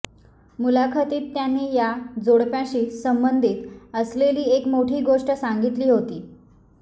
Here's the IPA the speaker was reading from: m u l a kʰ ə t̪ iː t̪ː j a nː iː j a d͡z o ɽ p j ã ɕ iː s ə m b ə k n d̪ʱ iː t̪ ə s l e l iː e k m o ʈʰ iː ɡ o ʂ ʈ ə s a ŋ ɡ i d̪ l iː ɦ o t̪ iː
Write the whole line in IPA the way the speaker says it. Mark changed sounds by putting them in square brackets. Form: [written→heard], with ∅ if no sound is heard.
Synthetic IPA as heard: m u l a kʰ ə t̪ iː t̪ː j a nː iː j a d͡z o ɽ p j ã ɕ iː s ə m b ə [k→∅] n d̪ʱ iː t̪ ə s l e l iː e k m o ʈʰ iː ɡ o ʂ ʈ ə s a ŋ ɡ i [d̪→t̪] l iː ɦ o t̪ iː